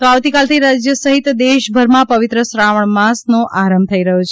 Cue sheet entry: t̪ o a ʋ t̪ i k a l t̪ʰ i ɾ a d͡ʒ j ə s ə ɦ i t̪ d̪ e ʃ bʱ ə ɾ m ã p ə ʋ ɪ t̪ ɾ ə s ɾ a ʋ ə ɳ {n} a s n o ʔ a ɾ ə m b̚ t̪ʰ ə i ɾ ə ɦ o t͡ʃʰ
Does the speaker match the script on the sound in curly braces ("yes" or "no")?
no